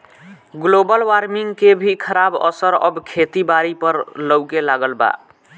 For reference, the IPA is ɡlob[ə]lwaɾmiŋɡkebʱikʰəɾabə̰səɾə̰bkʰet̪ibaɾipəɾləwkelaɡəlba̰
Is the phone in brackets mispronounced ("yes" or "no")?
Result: no